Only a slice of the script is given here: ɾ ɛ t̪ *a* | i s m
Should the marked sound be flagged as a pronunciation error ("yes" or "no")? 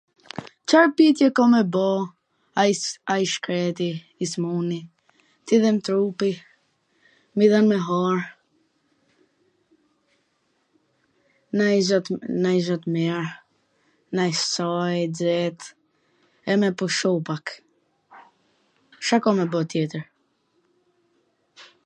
yes